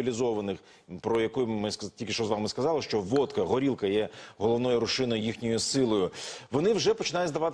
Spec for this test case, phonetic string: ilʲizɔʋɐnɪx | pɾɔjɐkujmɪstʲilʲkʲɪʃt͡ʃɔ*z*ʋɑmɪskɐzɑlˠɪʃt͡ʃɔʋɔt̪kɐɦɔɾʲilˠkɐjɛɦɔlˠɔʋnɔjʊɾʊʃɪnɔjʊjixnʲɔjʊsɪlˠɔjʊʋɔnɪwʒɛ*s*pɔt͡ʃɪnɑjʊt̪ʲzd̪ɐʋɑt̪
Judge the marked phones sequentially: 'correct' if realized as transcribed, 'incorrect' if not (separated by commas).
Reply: correct, incorrect